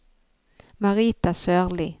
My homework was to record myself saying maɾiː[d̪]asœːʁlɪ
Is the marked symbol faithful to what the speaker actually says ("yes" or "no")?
no